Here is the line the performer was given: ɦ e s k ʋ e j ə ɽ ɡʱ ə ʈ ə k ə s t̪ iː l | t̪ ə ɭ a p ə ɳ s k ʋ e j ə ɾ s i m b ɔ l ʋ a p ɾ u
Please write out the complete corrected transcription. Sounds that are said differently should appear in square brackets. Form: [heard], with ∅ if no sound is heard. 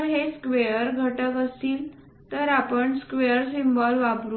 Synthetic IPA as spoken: ɦ e s k ʋ e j ə [ɾ] ɡʱ ə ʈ ə k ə s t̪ iː l | t̪ ə [ɾ] a p ə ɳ s k ʋ e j ə ɾ s i m b ɔ l ʋ a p ɾ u